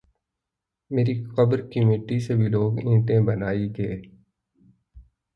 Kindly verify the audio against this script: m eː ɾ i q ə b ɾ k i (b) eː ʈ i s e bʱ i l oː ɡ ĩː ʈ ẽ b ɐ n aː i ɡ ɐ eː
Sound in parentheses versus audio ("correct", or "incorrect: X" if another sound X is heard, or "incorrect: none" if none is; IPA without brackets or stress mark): incorrect: m